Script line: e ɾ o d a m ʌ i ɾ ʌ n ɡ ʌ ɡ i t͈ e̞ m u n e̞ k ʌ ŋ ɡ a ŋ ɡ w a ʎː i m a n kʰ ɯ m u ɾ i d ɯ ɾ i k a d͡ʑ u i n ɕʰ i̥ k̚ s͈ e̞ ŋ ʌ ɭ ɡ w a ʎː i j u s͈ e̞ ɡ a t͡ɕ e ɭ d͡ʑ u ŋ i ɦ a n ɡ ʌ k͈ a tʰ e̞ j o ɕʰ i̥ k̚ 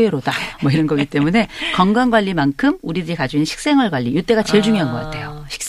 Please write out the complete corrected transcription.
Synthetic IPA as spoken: e ɾ o d a m ʌ i ɾ ʌ n ɡ ʌ ɡ i t͈ e̞ m u n e̞ k ʌ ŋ ɡ a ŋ ɡ w a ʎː i m a n kʰ ɯ m u ɾ i d ɯ ɾ i k a d͡ʑ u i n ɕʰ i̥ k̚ s͈ e̞ ŋ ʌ ɭ ɡ w a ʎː i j u t͈ e̞ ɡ a t͡ɕ e ɭ d͡ʑ u ŋ i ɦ a n ɡ ʌ k͈ a tʰ e̞ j o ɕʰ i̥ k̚